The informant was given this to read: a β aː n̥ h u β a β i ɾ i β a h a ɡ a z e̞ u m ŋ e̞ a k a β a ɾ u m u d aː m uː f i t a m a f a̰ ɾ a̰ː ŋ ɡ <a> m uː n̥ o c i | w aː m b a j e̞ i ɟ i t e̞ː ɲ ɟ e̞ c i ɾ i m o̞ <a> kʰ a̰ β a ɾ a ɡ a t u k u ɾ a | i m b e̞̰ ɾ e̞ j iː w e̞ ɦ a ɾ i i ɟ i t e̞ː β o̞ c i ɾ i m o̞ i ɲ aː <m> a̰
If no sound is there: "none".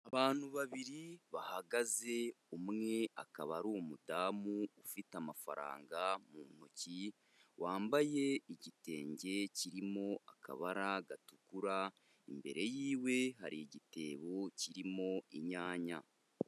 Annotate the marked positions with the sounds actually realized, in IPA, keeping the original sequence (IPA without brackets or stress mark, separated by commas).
a, a, ɲ